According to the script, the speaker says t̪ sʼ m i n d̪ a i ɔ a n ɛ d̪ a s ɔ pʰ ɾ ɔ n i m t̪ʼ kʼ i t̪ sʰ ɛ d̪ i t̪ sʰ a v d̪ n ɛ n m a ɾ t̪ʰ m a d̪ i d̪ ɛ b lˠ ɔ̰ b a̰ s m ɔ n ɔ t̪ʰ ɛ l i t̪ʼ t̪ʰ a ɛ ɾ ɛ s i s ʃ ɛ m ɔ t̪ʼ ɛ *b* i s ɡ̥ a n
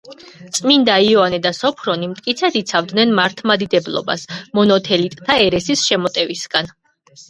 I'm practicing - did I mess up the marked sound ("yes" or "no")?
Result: yes